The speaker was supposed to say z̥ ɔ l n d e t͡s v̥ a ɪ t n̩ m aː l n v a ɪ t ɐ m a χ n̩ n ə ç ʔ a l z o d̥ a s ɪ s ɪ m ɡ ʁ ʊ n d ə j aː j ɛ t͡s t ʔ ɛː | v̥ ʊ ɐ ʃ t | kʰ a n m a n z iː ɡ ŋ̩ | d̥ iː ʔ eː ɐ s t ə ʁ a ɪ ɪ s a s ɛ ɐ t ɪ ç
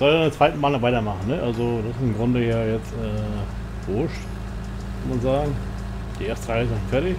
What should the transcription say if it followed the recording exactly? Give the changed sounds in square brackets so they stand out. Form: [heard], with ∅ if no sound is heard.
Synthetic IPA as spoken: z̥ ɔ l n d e t͡s v̥ a ɪ t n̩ m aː l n v a ɪ t ɐ m a χ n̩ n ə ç ʔ a l z o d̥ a s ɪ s ɪ m ɡ ʁ ʊ n d ə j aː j ɛ t͡s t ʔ ɛː | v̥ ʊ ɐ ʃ t | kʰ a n m a n z [aː] ɡ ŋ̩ | d̥ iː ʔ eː ɐ s t ə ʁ a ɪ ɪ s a [f] ɛ ɐ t ɪ ç

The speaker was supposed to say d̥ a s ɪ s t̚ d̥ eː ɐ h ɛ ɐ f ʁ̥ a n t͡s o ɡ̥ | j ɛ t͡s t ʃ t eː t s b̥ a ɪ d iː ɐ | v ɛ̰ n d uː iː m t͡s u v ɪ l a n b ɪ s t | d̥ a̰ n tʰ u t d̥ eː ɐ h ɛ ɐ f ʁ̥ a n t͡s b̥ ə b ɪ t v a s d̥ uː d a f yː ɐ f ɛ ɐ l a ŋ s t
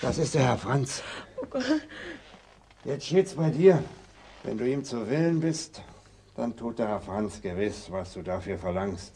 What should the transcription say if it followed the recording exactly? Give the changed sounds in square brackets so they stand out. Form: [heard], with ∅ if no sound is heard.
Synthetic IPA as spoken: d̥ a s ɪ s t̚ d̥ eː ɐ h ɛ ɐ f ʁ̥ a n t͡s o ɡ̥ | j ɛ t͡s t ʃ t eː t s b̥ a ɪ d iː ɐ | v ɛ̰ n d uː iː m t͡s u v ɪ l [ə] n b ɪ s t | d̥ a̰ n tʰ [uː] t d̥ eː ɐ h ɛ ɐ f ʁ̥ a n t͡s [ɡ̥] ə [v] ɪ [s] v a s d̥ uː d a f yː ɐ f ɛ ɐ l a ŋ s t

